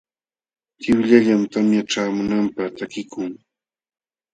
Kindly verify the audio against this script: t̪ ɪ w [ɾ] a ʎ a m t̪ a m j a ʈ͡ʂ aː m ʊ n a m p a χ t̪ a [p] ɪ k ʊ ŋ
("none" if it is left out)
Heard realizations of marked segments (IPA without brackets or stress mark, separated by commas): ʎ, k